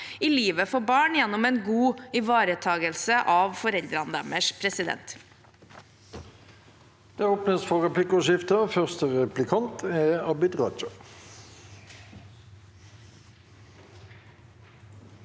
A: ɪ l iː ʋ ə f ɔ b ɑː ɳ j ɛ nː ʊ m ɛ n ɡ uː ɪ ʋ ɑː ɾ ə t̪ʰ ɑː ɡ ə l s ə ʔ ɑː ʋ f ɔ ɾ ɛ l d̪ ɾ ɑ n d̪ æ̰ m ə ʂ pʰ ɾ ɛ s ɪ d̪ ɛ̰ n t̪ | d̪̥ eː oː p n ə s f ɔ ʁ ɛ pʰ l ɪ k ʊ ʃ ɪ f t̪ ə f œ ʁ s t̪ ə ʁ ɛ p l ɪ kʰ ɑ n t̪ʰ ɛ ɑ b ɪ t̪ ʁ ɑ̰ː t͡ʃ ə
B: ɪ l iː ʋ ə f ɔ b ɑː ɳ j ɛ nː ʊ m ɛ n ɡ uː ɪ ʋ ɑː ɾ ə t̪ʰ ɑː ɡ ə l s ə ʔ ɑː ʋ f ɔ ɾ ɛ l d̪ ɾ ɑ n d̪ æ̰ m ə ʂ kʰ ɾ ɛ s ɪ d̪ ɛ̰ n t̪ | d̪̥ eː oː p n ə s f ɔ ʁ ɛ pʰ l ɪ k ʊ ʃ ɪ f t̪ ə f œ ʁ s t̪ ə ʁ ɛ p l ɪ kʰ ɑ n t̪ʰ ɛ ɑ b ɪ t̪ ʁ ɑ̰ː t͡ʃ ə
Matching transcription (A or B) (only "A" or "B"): A